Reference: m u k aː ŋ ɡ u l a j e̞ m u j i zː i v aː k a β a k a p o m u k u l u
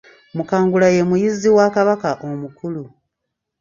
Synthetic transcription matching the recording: m u k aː ŋ ɡ u l a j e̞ m u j i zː i w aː k a β a k a ʔ o m u k u l u

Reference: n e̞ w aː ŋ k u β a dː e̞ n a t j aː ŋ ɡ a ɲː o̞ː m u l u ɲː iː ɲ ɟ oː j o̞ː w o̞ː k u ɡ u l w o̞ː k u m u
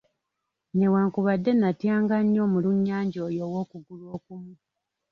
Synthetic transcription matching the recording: n e̞ w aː ŋ k u β a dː e̞ n a t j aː ŋ ɡ a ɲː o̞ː m u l u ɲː aː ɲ ɟ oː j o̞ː w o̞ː k u ɡ u l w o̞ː k u m u

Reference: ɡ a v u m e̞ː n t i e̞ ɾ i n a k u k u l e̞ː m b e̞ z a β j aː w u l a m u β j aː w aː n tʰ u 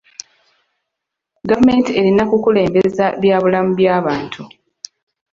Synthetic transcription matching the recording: ɡ a v u m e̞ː n t i e̞ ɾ i n a k u k u l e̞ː m b e̞ z a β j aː β u l a m u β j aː β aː n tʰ u

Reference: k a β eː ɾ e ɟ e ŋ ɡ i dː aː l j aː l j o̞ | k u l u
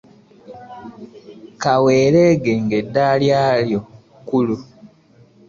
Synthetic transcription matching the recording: k a w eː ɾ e ɡ e ŋ ɡ e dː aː l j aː l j o̞ | k u l u

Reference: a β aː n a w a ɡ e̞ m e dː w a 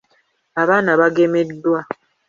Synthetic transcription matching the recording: a β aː n a β a ɡ e̞ m e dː w a

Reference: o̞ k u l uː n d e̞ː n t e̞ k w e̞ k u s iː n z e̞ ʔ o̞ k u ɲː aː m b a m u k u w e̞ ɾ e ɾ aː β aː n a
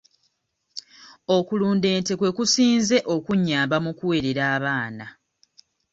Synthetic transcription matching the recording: o̞ k u l uː n d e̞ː n t e̞ k w e̞ k u s iː n z e̞ ʔ o̞ k u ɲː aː m b a m u k u w e̞ ɾ e ɾ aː β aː n a

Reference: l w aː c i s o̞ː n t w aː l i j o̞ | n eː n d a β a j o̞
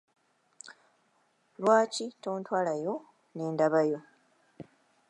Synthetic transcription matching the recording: l w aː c i t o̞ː n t w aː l a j o̞ | n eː n d a β a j o̞

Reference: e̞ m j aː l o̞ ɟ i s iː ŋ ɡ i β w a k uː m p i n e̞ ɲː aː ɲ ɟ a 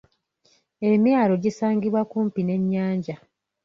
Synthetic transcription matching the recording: e̞ m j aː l o̞ ɟ i s aː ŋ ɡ i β w a k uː m p i n e̞ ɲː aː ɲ ɟ a

